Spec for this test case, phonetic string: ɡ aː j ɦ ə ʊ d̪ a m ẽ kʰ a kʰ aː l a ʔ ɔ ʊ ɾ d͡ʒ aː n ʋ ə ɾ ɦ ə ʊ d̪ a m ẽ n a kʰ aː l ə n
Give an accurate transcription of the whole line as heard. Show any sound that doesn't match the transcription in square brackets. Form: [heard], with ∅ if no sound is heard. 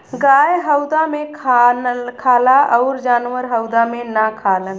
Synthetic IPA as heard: ɡ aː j ɦ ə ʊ d̪ a m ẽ kʰ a kʰ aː l a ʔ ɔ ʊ ɾ d͡ʒ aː n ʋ ə ɾ ɦ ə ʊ d̪ a m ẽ n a kʰ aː l ə n